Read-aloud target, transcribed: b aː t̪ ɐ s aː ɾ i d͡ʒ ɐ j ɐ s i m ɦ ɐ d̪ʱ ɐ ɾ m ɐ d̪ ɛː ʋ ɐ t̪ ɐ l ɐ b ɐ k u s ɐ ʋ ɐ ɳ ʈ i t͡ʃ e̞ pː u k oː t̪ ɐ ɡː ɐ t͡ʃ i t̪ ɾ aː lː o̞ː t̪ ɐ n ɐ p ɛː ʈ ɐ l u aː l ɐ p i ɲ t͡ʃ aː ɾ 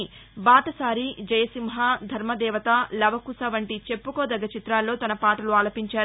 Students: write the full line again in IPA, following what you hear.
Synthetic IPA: b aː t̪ ɐ s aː ɾ i d͡ʒ ɐ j ɐ s i m ɦ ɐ d̪ʱ ɐ ɾ m ɐ d̪ ɛː ʋ ɐ t̪ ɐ l ɐ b ɐ k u s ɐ ʋ ɐ ɳ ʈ i t͡ʃ e̞ pː u k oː d̪ ɐ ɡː ɐ t͡ʃ i t̪ ɾ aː lː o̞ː t̪ ɐ n ɐ p aː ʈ ɐ l u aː l ɐ p i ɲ t͡ʃ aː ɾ